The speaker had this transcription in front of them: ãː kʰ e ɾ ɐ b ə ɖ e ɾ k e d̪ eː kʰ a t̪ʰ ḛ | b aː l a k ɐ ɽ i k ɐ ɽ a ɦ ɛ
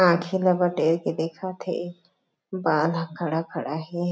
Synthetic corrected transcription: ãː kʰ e l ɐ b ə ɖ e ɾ k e d̪ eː kʰ a t̪ʰ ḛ | b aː l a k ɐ ɽ a k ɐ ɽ a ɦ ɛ